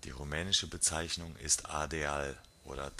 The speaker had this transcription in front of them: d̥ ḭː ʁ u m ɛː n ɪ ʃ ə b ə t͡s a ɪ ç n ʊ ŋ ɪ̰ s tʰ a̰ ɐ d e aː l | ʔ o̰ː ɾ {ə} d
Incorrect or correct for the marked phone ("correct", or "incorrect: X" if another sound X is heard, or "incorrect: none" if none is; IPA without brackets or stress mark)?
incorrect: ɐ